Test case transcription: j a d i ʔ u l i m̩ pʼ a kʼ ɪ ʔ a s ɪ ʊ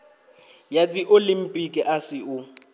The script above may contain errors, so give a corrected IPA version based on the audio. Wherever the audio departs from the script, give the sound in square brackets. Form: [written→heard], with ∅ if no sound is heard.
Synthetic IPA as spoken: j a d i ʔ [u→o] l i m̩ pʼ [a→i] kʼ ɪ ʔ a s ɪ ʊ